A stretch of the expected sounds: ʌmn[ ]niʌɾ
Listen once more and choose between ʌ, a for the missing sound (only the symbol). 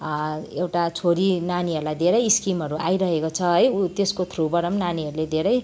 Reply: a